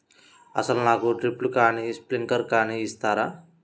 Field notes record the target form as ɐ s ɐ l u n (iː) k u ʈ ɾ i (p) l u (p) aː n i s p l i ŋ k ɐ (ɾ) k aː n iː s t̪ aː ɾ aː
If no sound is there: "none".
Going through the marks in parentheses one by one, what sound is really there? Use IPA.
aː, p, k, ɾ

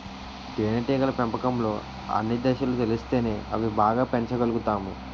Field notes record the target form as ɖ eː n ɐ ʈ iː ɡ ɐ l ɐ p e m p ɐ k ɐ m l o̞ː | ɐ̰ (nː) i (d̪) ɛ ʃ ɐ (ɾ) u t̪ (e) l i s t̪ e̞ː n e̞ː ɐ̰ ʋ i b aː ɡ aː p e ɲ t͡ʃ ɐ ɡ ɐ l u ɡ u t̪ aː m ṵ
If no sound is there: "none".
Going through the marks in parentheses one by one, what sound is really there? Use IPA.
nː, d̪, l, e

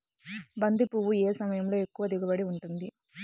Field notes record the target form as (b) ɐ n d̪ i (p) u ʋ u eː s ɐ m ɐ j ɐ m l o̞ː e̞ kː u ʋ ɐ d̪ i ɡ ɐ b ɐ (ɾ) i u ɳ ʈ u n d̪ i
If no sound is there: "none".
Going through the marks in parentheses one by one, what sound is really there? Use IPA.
b, p, ɽ

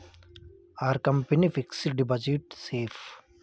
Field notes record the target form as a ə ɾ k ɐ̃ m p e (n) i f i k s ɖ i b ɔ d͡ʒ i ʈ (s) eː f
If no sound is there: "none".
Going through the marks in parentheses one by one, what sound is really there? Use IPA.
n, s

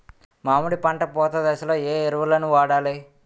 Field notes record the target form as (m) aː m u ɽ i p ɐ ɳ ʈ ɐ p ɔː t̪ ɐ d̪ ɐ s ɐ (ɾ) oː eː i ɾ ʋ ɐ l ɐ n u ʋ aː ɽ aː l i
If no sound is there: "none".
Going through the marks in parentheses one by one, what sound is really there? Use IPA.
m, l

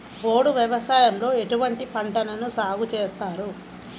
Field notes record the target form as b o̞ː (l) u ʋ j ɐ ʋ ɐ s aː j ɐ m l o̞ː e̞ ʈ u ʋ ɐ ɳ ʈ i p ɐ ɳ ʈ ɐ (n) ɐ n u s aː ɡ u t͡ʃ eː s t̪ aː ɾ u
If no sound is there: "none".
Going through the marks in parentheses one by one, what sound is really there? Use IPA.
ɽ, n

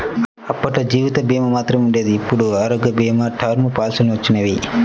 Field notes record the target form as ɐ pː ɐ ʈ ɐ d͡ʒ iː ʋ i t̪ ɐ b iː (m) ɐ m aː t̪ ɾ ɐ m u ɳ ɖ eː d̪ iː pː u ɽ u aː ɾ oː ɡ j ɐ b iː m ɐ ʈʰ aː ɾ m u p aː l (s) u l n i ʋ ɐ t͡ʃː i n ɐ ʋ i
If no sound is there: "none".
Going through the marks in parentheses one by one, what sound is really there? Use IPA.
m, s

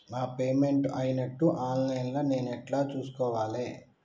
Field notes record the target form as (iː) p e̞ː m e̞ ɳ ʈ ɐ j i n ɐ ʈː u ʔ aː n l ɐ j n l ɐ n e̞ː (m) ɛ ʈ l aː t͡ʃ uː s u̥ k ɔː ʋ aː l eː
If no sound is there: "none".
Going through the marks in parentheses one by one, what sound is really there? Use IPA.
aː, n

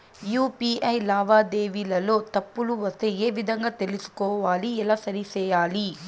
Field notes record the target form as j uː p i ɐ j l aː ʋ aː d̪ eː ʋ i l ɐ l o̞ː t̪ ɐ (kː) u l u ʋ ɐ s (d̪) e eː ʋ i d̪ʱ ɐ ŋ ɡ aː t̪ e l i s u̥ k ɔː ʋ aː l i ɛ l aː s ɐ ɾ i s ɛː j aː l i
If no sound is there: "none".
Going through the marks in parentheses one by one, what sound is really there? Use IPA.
pː, t̪

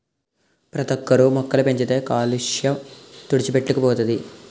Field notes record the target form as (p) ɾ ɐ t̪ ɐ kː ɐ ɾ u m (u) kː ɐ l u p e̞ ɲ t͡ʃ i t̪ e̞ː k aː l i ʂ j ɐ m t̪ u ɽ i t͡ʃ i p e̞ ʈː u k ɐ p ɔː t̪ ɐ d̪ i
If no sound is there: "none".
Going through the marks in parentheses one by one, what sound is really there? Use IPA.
p, ɔ

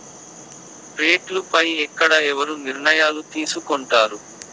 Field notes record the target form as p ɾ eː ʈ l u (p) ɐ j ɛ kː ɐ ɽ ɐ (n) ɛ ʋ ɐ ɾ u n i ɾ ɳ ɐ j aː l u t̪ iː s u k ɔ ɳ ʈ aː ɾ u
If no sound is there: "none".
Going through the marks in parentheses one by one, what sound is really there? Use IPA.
p, none

